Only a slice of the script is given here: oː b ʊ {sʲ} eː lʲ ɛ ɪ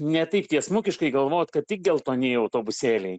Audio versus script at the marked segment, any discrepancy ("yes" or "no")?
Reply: no